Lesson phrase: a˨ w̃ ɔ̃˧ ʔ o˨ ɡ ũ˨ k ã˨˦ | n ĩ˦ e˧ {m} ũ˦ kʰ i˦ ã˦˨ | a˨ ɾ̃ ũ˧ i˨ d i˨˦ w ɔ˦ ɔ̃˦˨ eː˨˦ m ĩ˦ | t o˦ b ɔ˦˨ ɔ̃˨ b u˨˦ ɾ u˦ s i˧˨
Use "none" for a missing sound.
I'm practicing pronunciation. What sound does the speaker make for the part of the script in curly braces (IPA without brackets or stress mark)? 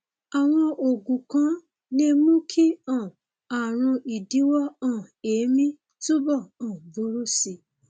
m